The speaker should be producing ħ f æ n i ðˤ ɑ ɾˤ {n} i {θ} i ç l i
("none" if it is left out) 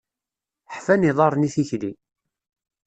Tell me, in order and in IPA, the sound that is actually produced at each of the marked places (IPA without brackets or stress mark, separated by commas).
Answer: n, θ